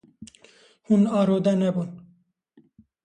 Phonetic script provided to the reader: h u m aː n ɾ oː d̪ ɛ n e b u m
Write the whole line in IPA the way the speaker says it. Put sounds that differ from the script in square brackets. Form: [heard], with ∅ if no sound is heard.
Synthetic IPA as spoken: h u [n] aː [∅] ɾ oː d̪ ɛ n [ɛ] b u [n]